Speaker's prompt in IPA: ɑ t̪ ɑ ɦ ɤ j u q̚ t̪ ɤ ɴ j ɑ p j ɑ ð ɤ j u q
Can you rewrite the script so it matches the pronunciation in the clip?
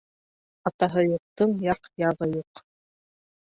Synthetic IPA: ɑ t̪ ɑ ɦ ɤ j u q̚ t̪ ɤ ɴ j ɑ q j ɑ ʁ ɤ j u q